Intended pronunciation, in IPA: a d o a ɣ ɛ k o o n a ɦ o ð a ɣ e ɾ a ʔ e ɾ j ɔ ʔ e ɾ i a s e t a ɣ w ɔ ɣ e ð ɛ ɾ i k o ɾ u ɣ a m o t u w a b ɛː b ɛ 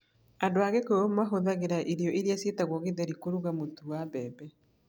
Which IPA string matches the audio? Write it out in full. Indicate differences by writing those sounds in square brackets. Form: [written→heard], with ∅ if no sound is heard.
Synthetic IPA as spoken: a d o a ɣ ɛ k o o [n→m] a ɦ o ð a ɣ e ɾ a ʔ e ɾ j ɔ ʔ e ɾ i a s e t a ɣ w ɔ ɣ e ð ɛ ɾ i k o ɾ u ɣ a m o t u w a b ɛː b ɛ